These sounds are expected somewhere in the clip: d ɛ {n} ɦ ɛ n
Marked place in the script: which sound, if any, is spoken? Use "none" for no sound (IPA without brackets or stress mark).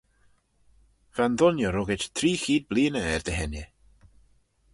none